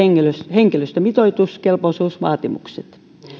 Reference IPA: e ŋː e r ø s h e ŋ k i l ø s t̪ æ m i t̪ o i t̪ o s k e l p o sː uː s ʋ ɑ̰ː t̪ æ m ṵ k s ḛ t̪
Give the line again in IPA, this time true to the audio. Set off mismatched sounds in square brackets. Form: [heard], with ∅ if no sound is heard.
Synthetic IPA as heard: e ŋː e [l] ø s h e ŋ k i l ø s t̪ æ m i t̪ o i t̪ [u] s k e l p o [s] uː s ʋ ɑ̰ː t̪ [i] m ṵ k s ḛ t̪